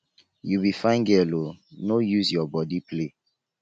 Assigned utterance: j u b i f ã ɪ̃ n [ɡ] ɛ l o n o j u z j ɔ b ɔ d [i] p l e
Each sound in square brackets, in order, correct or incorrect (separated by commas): correct, correct